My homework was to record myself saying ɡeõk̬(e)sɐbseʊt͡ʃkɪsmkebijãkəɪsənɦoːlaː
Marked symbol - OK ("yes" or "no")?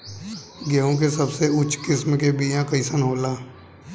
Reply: yes